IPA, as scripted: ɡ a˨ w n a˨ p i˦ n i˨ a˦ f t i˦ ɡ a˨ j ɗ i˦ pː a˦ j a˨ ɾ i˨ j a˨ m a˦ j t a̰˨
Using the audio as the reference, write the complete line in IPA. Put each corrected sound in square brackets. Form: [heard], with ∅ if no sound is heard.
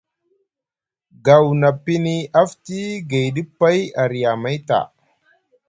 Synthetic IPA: ɡ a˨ w n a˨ p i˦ n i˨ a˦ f t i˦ ɡ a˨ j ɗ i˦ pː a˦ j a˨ ɾ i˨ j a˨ m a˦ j t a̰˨